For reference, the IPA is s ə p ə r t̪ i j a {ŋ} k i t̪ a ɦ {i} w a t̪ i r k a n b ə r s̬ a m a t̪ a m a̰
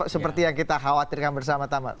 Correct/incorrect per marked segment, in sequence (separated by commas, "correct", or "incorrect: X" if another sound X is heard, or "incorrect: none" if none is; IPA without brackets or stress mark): correct, incorrect: a